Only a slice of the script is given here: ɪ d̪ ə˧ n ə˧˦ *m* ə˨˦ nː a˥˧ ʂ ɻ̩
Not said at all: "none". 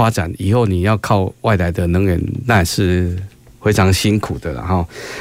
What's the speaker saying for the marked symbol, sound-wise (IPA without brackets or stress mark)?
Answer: ŋ